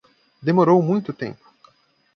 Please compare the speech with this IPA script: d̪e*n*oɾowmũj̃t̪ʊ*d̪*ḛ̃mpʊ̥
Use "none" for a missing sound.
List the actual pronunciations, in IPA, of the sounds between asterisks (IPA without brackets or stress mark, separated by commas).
m, t̪